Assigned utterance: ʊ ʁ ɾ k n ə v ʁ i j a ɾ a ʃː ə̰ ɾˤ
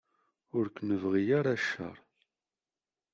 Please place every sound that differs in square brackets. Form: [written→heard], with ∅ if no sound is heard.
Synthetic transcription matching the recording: ʊ [ʁ→∅] ɾ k n ə v ʁ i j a ɾ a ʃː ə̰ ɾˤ